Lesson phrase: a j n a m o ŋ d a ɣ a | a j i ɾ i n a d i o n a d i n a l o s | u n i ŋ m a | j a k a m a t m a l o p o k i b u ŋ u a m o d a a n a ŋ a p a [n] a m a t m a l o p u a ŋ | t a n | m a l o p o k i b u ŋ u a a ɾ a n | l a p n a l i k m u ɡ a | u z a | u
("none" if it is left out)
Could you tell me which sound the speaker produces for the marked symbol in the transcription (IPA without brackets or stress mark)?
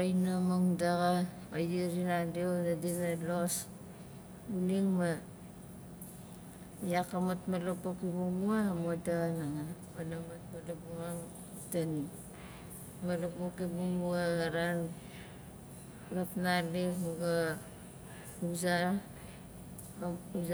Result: n